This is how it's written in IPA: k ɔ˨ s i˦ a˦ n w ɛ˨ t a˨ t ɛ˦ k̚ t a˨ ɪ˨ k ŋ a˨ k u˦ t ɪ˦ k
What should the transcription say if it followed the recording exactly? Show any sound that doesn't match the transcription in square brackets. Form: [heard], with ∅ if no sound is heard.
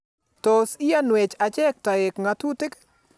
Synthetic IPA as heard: [t] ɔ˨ s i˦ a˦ n w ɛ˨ [t͡ʃ] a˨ [t͡ʃ] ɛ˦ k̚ t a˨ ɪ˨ k ŋ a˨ [t] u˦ t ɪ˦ k

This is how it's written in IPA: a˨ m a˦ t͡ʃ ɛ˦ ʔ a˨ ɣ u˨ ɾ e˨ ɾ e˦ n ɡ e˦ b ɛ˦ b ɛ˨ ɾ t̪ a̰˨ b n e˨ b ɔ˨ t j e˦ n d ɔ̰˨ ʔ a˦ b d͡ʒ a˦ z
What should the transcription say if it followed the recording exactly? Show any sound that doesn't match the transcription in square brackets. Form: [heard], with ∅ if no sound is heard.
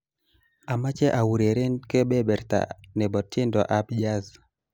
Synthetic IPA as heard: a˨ m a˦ t͡ʃ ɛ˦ ʔ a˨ [w] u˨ ɾ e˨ ɾ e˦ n [k] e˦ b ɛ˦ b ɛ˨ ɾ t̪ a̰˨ [∅] n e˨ b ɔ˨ t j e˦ n d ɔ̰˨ ʔ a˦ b d͡ʒ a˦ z

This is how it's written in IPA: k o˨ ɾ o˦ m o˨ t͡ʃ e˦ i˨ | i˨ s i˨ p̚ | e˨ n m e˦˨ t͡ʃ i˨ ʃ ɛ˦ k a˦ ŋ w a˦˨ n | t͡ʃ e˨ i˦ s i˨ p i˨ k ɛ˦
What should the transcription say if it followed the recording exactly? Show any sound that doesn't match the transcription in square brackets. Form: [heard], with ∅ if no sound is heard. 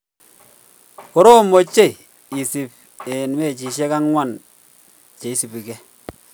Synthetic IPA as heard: k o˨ ɾ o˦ m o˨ t͡ʃ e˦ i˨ | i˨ s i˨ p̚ | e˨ n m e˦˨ t͡ʃ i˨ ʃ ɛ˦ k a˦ ŋ w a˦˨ n | t͡ʃ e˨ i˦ s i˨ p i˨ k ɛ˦

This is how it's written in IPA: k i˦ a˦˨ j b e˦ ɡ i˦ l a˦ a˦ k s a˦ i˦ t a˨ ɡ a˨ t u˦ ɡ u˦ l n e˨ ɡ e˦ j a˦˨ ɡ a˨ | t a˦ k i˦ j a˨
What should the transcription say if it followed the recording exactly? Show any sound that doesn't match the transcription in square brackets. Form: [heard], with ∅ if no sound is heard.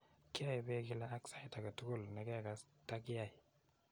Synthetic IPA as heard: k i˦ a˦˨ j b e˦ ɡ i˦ l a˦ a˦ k s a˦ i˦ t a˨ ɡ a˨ t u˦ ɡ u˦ l n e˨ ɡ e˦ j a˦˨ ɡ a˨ | t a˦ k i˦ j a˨

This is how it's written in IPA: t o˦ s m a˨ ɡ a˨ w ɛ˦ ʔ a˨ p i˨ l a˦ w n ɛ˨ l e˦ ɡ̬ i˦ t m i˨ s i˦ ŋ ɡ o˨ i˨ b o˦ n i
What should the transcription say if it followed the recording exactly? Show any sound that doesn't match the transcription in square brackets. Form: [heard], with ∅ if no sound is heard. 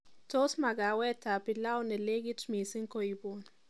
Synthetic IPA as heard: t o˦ s m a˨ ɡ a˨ w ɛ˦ [t] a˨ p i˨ l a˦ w n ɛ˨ l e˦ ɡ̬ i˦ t m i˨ s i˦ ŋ [k] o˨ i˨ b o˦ n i

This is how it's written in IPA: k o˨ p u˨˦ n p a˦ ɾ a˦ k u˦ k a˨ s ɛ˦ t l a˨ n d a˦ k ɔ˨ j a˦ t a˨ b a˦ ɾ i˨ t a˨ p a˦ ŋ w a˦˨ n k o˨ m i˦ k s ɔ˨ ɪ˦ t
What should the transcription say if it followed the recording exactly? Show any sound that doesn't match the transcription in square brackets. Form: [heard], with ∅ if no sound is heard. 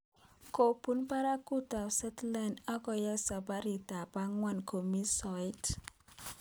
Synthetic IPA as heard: k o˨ p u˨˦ n p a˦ ɾ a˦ k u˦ [t] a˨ s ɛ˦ t l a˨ n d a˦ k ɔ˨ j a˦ [s] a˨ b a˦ ɾ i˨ t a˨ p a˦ ŋ w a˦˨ n k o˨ m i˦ [∅] s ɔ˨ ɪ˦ t

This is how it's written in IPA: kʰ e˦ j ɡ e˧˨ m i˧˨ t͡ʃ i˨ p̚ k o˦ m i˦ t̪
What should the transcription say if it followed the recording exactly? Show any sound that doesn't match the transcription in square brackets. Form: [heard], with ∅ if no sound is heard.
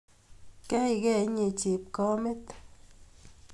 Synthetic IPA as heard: [k] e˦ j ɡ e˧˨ [ɲ] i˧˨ t͡ʃ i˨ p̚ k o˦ m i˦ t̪

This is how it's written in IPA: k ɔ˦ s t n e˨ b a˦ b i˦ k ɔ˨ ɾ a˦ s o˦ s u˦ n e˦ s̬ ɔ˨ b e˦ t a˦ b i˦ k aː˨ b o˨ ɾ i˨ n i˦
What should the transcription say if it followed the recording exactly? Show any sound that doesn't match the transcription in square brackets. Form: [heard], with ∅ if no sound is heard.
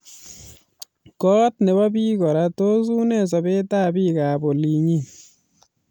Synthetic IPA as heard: k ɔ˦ [∅] t n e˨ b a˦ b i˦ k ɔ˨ ɾ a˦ [t] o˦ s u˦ n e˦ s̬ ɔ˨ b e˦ t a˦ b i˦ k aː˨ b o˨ [l] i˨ [ɲ] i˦

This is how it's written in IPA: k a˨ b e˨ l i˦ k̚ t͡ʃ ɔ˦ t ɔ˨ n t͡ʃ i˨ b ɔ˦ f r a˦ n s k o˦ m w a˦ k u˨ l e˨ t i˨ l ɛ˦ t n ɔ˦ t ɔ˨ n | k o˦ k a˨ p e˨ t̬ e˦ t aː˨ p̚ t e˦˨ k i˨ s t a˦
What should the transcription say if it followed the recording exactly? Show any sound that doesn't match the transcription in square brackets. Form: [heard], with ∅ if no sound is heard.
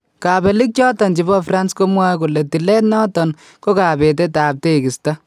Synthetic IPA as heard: k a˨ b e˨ l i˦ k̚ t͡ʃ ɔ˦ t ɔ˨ n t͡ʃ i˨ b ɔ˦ f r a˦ n s k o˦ m w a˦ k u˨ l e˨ t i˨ l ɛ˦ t n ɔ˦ t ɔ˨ n | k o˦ k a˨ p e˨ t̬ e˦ t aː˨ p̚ t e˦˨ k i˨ s t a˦

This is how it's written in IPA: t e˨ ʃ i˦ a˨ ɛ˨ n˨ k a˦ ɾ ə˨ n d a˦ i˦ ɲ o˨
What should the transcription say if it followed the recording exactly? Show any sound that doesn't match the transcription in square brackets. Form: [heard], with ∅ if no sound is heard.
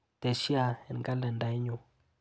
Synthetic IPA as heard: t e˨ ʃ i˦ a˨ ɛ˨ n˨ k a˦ [l] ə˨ n d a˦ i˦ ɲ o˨

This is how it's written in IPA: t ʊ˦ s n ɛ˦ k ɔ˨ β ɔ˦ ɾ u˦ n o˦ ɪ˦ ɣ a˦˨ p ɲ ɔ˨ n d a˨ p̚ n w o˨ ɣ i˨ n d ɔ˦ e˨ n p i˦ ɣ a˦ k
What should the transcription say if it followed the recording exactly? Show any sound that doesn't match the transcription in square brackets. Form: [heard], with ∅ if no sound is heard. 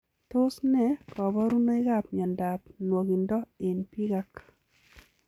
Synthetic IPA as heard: t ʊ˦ s n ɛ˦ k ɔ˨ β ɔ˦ ɾ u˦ n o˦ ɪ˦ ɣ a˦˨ p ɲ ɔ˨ n d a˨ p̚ n w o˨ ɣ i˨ n d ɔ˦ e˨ n p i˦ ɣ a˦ k

